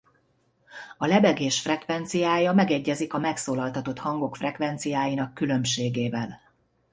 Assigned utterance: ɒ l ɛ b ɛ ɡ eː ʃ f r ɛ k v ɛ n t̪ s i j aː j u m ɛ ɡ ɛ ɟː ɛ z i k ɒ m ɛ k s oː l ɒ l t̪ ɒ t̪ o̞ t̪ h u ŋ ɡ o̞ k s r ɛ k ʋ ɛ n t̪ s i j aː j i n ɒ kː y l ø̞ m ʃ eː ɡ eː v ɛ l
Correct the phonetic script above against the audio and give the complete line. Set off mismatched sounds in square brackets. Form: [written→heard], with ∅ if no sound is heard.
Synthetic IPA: ɒ l ɛ b ɛ ɡ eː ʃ f r ɛ k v ɛ n t̪ s i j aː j [u→ɒ] m ɛ ɡ ɛ ɟː ɛ z i k ɒ m ɛ k s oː l ɒ l t̪ ɒ t̪ o̞ t̪ h [u→ɒ] ŋ ɡ o̞ k [s→f] r ɛ k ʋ ɛ n t̪ s i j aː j i n ɒ kː y l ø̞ m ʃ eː ɡ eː v ɛ l